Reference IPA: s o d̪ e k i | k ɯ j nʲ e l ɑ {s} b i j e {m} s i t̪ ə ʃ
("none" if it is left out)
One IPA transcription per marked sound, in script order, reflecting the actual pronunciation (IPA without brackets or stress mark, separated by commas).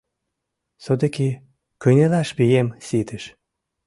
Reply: ʃ, m